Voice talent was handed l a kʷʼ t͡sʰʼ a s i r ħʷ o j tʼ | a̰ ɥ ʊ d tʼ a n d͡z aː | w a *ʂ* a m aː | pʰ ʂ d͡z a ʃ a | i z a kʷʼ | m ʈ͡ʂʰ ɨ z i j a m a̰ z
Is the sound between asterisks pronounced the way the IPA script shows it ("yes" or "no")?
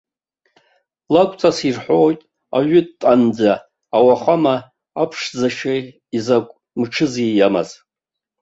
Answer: no